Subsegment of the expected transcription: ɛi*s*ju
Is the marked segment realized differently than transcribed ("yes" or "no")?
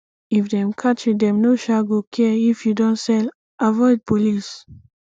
yes